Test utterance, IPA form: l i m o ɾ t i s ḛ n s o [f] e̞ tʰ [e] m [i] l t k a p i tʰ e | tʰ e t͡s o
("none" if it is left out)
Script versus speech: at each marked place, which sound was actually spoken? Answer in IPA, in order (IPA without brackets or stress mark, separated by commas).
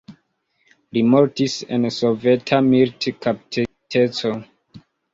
v, a, i